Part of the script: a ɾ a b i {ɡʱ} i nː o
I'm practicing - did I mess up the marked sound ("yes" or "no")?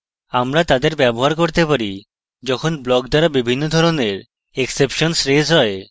yes